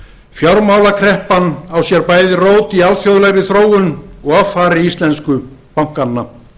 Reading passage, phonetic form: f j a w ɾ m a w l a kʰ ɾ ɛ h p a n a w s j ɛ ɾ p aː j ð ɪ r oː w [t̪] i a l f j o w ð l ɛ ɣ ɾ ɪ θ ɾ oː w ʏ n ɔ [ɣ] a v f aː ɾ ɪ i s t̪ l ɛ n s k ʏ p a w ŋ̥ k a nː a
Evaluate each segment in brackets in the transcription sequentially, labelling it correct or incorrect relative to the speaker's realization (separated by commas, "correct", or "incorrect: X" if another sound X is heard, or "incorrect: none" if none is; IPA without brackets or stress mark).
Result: correct, correct